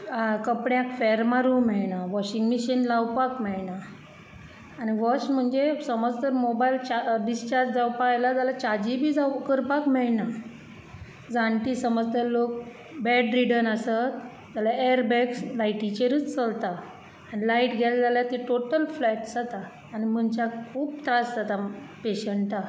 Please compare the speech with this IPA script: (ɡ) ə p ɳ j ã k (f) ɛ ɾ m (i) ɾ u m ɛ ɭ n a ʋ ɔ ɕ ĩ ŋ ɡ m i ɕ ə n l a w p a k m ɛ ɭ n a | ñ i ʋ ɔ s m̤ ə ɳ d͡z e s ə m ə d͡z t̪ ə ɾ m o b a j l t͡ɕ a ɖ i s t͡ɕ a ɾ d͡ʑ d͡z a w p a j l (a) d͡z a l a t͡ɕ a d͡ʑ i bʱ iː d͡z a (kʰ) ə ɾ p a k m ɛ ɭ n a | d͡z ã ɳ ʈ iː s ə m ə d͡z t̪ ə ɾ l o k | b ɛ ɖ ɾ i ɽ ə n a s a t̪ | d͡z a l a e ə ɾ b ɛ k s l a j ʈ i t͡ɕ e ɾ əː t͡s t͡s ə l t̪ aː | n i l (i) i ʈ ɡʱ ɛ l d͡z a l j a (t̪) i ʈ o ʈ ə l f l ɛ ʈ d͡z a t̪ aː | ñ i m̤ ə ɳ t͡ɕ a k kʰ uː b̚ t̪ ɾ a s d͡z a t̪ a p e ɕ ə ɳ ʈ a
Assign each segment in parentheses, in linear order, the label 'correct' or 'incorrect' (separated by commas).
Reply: incorrect, correct, incorrect, correct, incorrect, incorrect, correct